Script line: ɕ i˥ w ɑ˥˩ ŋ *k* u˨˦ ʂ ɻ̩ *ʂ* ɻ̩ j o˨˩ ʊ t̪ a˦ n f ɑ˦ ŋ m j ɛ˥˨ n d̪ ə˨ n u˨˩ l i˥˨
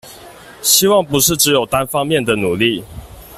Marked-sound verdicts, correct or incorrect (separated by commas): incorrect, incorrect